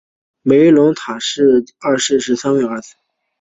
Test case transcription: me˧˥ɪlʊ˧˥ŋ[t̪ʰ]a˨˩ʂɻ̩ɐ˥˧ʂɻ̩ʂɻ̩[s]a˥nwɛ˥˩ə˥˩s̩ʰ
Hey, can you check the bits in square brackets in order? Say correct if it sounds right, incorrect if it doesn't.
correct, correct

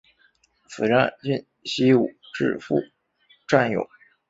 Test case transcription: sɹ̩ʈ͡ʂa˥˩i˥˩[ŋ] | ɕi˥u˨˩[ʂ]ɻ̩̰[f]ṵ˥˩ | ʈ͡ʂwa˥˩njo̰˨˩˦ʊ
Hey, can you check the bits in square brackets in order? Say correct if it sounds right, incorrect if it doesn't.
incorrect: n, incorrect: ʈ͡ʂ, correct

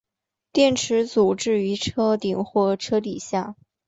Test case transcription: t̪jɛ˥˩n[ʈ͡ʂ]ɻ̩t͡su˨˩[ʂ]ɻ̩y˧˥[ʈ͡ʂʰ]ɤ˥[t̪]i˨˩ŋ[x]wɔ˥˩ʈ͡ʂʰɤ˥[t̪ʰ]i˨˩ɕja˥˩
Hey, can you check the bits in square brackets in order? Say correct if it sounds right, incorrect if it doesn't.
incorrect: ʈ͡ʂʰ, incorrect: ʈ͡ʂ, correct, correct, correct, incorrect: t̪

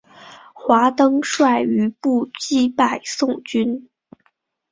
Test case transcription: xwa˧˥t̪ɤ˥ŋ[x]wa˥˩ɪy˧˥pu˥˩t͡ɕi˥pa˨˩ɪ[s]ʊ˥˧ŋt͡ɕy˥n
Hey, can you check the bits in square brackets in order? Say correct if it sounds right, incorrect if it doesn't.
incorrect: ʂ, correct

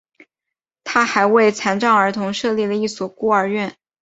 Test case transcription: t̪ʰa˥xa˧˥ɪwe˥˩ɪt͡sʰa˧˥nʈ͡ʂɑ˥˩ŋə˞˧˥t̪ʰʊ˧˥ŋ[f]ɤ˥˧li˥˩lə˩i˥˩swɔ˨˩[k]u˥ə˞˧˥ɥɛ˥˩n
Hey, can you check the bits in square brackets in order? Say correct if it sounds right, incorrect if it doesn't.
incorrect: ʂ, correct

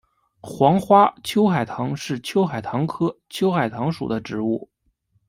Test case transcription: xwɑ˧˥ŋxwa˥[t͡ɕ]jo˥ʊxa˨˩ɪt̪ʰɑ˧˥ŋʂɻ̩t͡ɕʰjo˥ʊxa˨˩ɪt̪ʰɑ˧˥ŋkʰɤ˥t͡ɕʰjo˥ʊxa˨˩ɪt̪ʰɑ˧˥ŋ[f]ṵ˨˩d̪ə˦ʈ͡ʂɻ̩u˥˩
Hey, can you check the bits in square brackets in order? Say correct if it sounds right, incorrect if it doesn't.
incorrect: t͡ɕʰ, incorrect: ʂ

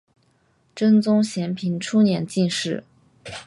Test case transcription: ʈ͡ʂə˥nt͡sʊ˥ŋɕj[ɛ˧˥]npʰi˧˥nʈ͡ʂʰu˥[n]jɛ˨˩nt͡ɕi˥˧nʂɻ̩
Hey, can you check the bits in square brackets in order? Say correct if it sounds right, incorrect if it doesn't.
correct, correct

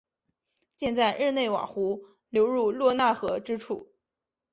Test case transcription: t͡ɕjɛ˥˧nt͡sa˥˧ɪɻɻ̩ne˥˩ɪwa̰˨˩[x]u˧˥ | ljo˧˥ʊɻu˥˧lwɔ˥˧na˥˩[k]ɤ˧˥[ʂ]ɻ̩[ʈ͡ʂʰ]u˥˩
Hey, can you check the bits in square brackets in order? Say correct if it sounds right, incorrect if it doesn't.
correct, incorrect: x, incorrect: ʈ͡ʂ, correct

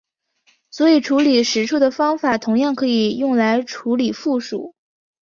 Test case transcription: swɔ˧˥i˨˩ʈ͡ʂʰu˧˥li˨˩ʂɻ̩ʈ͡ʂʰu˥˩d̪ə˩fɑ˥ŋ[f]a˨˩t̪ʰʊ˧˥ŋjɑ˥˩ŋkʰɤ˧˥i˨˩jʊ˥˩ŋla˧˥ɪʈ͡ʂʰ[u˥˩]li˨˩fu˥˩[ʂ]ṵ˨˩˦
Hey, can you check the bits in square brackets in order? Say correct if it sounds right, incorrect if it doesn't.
correct, incorrect: u˧˥, correct

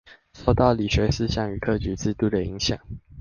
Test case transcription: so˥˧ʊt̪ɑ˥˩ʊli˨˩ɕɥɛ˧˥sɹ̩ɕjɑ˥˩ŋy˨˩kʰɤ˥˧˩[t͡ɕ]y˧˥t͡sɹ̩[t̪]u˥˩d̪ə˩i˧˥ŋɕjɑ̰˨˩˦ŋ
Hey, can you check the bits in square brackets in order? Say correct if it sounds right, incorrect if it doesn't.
correct, correct

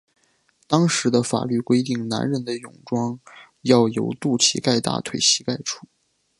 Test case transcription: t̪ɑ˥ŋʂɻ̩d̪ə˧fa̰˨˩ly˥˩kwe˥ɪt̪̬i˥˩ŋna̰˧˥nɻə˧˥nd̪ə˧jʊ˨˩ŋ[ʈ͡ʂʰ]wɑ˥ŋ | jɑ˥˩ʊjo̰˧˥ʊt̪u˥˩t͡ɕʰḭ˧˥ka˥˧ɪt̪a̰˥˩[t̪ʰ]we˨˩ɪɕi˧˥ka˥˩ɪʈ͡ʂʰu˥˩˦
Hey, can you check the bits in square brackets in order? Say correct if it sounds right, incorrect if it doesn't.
incorrect: ʈ͡ʂ, correct

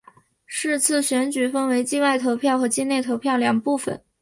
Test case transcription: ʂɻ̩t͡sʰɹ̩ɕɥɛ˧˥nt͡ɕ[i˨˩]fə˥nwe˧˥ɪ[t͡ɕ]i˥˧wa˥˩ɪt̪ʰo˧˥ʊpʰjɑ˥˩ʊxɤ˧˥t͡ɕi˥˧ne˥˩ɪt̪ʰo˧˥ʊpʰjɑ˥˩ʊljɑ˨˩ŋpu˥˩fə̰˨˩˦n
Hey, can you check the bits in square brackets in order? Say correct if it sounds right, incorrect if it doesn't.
incorrect: y˨˩, correct

